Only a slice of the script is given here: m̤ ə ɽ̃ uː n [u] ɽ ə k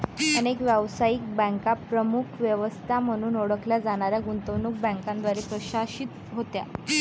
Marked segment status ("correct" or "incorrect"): incorrect